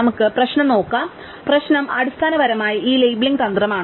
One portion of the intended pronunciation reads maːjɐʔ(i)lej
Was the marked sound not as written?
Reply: yes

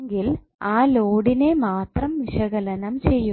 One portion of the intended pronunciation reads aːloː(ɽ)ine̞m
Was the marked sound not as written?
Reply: no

